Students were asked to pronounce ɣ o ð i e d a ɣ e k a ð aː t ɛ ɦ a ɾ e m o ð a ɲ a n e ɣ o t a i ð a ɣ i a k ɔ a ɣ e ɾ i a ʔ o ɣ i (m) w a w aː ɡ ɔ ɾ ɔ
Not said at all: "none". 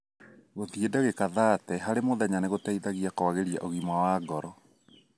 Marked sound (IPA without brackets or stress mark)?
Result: m